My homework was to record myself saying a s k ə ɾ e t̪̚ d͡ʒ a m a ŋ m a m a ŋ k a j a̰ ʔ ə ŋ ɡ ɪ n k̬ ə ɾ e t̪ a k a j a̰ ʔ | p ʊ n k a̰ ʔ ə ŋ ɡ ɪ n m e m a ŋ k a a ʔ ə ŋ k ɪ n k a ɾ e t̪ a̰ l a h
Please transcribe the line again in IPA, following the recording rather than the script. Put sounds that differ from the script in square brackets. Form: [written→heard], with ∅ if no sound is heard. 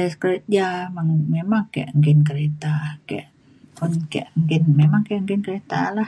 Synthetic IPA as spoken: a s k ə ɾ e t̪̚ d͡ʒ a m a ŋ m [a→e] m a ŋ k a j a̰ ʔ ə ŋ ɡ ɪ n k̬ ə ɾ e t̪ a k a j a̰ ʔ | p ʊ n k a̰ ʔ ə ŋ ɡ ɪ n m e m a ŋ k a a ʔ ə ŋ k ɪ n k [a→ə] ɾ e t̪ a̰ l a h